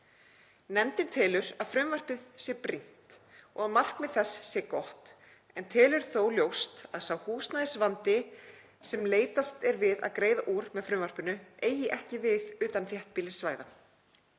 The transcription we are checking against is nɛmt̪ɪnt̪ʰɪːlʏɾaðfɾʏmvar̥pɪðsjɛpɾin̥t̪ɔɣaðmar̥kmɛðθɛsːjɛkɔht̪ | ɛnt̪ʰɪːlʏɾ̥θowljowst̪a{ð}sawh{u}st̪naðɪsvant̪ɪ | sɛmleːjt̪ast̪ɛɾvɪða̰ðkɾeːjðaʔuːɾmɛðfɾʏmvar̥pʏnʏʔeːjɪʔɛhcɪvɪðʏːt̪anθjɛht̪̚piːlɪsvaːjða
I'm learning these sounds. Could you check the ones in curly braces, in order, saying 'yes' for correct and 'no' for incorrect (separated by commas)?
yes, no